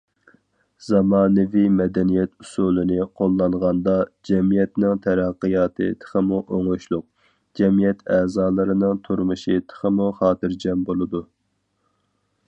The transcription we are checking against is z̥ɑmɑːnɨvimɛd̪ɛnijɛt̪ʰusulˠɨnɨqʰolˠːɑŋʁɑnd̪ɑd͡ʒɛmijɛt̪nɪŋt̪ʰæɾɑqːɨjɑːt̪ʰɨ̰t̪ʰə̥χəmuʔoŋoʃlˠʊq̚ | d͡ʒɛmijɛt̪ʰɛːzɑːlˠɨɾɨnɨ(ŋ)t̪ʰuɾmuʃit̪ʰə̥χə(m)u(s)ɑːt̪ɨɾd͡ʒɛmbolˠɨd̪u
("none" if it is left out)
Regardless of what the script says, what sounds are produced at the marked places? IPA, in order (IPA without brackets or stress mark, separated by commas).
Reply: ŋ, m, χ